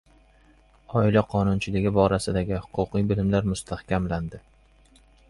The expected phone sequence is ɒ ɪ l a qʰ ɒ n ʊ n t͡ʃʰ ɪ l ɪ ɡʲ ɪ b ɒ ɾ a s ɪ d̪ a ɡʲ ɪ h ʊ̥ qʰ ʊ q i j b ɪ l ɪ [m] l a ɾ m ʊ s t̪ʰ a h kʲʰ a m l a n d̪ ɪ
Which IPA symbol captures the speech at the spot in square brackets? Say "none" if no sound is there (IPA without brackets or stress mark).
m